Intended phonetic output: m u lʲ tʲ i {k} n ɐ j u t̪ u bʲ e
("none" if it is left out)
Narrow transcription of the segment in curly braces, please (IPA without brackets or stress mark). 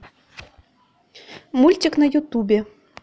k